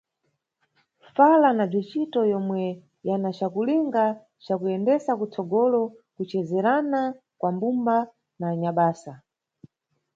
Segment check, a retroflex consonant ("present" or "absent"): present